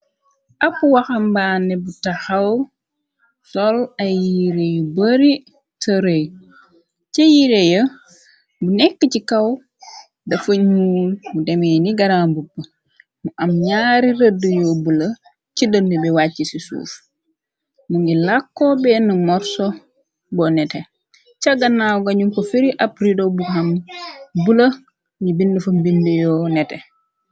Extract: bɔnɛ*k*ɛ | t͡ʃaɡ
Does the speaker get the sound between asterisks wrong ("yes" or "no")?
yes